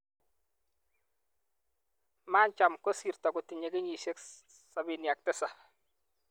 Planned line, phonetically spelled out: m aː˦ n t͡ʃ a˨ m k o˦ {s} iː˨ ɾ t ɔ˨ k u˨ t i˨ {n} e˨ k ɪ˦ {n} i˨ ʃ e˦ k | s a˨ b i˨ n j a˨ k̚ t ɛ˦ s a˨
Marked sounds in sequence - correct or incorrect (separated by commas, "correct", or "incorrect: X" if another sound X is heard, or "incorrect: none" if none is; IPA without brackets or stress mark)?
correct, incorrect: ɲ, incorrect: ɲ